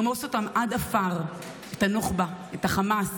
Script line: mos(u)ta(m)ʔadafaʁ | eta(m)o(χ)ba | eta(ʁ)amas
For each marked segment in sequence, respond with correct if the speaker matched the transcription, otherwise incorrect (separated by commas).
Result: incorrect, correct, incorrect, correct, incorrect